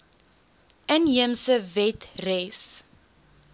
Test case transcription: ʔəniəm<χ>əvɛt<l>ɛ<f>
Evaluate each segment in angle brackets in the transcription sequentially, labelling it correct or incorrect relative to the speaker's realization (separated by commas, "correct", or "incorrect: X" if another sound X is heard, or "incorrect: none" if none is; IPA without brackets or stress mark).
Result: incorrect: s, incorrect: r, incorrect: s